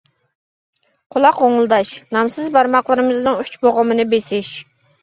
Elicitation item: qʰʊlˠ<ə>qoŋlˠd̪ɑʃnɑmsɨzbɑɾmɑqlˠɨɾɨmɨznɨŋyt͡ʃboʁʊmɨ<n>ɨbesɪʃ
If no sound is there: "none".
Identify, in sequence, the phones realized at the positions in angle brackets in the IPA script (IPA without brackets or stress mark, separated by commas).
ɑ, n